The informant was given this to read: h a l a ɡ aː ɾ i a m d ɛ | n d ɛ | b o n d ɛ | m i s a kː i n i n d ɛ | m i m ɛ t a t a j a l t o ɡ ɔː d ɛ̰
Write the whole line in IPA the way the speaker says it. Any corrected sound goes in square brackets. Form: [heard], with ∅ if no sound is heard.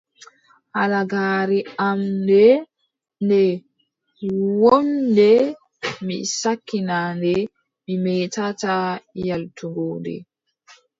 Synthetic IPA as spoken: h a l a ɡ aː ɾ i a m d ɛ | n d ɛ | [w] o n d ɛ | m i s a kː i n [a] n d ɛ | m i m ɛ t a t a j a l t [u] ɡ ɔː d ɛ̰